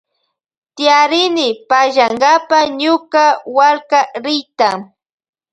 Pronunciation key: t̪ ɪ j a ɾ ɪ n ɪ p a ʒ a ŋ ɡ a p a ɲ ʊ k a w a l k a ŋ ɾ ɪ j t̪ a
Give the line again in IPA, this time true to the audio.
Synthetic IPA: t̪ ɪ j a ɾ ɪ n ɪ p a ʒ a ŋ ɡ a p a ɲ ʊ k a w a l k a ɾ ɪ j t̪ a